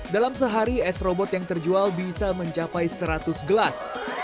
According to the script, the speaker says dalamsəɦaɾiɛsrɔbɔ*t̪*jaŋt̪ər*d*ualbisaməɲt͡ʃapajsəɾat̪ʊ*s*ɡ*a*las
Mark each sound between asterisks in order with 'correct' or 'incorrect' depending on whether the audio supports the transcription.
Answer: correct, incorrect: d͡ʒ, correct, incorrect: ə

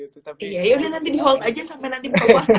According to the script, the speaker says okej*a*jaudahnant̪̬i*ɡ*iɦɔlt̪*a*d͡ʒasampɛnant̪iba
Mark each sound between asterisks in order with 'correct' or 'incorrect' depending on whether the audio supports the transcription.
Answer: correct, incorrect: d, correct

